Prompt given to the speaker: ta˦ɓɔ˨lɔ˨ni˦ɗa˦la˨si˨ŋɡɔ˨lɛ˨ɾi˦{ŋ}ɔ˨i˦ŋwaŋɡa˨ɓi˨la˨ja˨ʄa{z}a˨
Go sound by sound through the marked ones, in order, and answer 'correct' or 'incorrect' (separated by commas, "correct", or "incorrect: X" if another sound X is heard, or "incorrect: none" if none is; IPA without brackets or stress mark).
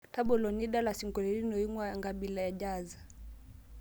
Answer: incorrect: n, correct